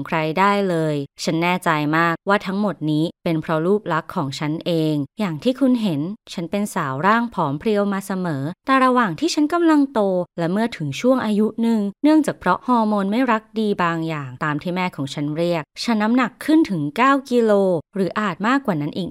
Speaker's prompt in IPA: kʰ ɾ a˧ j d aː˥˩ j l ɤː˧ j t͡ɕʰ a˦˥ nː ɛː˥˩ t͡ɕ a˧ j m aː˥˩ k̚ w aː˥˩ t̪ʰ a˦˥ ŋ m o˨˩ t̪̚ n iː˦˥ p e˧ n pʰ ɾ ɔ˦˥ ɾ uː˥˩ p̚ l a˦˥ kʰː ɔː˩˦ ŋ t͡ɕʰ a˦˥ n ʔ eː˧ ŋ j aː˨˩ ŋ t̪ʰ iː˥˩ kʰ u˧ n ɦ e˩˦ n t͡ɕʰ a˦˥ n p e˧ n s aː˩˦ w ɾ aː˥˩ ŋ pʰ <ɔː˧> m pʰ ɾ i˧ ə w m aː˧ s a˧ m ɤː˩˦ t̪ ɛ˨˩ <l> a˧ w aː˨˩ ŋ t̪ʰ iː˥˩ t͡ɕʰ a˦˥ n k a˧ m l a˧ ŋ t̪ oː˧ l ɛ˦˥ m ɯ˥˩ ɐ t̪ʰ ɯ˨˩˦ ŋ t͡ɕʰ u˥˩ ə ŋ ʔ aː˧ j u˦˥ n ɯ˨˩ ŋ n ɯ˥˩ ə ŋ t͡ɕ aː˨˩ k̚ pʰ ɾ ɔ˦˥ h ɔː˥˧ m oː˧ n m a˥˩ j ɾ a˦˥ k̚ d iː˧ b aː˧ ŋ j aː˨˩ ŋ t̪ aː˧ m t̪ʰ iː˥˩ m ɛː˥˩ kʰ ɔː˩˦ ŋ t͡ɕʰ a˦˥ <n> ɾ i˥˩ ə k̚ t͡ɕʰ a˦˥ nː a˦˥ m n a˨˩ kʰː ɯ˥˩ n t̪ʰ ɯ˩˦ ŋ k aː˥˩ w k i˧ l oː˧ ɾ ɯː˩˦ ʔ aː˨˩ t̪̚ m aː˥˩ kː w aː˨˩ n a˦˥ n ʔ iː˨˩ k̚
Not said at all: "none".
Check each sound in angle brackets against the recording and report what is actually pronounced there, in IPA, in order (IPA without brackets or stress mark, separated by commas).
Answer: ɔː˩˦, ɾ, n